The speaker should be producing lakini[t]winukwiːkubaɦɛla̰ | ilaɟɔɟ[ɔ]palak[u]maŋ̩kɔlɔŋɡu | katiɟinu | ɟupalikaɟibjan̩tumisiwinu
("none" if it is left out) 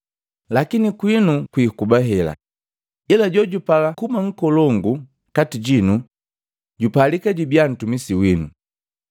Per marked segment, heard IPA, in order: k, u, u

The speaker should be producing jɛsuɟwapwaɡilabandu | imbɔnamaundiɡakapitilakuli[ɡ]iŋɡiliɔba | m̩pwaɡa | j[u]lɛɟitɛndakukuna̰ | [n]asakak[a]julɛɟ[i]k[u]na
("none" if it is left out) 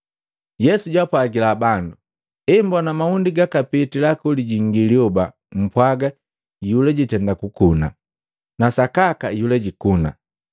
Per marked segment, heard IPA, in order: ɟ, u, n, a, i, u

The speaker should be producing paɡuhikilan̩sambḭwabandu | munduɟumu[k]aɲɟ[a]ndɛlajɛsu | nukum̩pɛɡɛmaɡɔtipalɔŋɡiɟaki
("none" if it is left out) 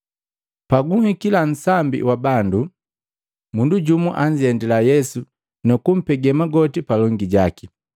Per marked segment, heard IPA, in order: ʔ, ɛ

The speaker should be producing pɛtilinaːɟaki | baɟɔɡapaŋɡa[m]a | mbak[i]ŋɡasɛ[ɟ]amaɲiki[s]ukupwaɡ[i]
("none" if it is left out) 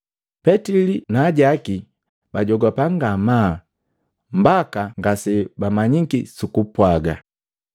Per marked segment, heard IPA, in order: m, a, b, s, a

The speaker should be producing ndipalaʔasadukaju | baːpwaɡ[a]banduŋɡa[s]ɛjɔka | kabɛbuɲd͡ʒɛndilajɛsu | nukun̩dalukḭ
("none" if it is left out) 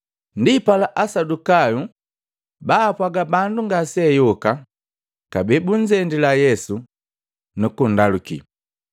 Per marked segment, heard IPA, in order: a, s

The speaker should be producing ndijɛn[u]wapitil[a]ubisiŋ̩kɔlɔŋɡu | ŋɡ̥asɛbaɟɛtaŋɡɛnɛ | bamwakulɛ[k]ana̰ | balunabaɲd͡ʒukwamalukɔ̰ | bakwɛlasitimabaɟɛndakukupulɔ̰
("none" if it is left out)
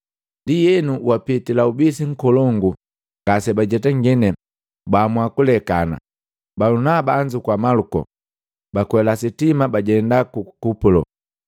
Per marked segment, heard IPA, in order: u, a, k

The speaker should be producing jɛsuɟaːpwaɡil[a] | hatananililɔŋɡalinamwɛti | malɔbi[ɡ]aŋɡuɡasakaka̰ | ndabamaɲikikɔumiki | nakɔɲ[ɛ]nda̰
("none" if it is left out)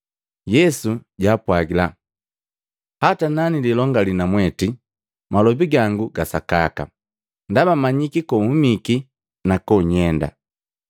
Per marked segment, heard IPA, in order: a, ɡ, ɛ

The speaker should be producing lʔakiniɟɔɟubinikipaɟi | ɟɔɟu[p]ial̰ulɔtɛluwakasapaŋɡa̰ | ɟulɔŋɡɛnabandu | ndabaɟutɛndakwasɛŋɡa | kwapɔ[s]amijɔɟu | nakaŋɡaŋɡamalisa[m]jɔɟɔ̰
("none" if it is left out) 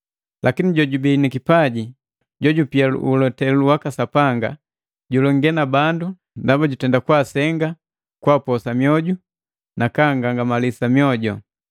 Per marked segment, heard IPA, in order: p, s, m

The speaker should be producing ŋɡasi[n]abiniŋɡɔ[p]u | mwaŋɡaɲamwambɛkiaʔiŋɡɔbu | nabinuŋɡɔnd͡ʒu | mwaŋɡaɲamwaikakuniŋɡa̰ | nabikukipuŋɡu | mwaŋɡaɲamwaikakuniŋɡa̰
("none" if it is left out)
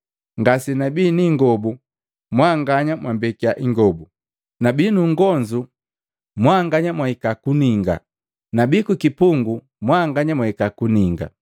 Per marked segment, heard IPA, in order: n, b

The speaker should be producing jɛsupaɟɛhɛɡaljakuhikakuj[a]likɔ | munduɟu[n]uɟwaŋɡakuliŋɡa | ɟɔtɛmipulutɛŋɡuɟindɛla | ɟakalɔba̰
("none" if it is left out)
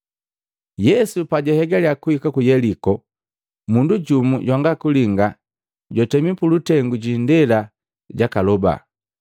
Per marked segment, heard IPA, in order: ɛ, m

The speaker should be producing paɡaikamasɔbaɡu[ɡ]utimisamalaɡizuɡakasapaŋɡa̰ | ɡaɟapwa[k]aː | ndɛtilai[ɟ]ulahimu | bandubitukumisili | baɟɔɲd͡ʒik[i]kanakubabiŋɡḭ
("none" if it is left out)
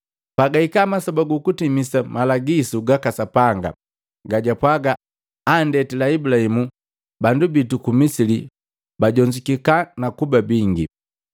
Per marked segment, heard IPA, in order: k, ɡ, b, i

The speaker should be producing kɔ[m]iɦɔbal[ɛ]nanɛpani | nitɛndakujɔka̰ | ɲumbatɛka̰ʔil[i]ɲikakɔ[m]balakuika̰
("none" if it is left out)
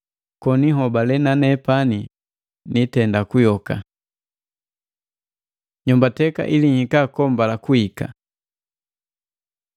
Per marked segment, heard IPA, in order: n, ɛ, i, m

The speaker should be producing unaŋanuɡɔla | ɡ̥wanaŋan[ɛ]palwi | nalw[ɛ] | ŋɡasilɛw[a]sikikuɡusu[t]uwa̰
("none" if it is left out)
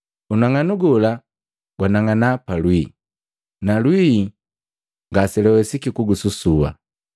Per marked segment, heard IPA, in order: a, i, ɛ, s

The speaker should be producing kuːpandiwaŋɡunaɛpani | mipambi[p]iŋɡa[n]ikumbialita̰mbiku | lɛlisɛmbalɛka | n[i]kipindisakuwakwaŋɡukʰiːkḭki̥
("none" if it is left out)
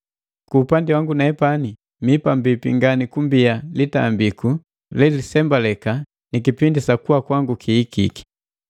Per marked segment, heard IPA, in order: p, n, i

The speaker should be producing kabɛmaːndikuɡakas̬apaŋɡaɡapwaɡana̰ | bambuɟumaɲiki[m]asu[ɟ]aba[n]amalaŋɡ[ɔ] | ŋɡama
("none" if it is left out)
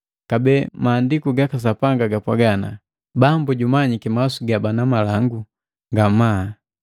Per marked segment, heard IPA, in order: m, ɡ, n, u

